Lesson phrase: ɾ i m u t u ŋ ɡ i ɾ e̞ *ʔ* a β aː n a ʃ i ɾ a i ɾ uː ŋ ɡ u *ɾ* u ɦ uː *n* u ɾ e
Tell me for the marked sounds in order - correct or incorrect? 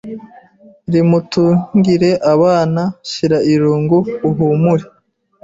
correct, incorrect: none, incorrect: m

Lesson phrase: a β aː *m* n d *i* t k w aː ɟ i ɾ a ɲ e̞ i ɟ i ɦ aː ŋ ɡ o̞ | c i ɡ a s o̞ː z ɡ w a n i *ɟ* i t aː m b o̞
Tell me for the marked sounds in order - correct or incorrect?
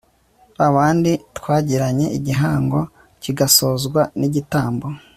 incorrect: none, correct, correct

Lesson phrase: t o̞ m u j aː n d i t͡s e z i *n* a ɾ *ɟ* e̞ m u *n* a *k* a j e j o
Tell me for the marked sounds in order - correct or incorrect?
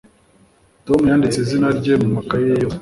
correct, correct, incorrect: m, correct

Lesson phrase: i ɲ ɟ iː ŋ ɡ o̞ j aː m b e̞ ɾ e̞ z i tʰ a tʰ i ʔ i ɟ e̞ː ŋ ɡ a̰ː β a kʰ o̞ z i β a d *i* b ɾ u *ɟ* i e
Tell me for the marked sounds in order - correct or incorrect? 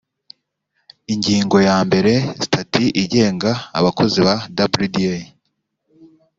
incorrect: a, incorrect: d

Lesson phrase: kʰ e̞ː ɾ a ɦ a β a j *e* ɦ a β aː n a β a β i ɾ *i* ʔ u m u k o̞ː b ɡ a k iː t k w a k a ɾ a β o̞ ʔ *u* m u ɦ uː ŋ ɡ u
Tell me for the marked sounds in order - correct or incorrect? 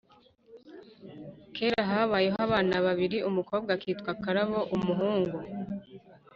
correct, correct, correct

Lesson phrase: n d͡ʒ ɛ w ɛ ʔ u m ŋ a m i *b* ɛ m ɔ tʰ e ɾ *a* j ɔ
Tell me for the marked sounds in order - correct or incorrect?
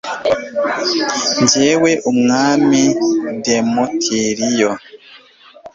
incorrect: d, incorrect: i

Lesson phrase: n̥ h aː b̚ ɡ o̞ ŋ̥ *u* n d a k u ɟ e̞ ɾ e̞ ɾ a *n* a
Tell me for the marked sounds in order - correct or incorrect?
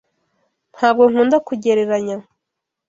incorrect: uː, incorrect: ɲ

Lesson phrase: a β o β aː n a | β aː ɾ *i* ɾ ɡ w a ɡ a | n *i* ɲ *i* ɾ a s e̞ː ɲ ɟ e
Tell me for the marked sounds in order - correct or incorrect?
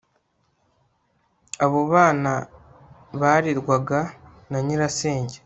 correct, incorrect: a, correct

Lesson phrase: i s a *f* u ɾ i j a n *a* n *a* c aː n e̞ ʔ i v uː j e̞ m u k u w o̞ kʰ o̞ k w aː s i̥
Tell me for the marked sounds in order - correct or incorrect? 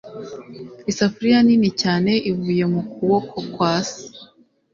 correct, incorrect: i, incorrect: i

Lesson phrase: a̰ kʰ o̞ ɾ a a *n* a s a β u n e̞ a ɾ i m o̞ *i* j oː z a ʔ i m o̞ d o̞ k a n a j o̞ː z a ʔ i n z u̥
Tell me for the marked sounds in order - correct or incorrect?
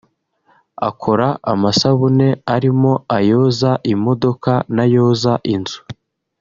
incorrect: m, incorrect: a

